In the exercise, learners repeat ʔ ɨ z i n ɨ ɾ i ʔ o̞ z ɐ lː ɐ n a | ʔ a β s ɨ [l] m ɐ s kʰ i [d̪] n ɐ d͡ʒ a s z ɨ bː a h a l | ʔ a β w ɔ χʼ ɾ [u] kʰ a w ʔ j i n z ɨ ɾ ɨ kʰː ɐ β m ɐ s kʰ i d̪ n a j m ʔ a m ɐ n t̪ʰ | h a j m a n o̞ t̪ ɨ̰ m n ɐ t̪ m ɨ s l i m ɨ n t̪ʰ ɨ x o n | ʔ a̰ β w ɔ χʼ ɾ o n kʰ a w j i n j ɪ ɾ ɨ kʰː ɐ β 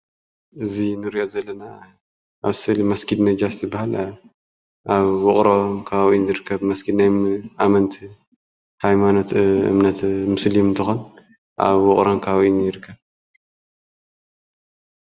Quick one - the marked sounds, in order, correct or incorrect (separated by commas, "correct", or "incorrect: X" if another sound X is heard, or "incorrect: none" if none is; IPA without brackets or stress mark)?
correct, correct, incorrect: o